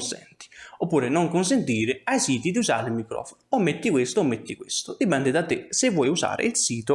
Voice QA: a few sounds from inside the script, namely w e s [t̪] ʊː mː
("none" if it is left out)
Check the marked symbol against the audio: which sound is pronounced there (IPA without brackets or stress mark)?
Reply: t̪